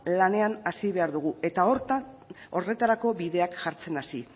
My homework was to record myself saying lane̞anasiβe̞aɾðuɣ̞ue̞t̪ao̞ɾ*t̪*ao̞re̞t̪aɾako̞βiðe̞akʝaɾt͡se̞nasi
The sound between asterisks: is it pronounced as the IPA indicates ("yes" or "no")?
yes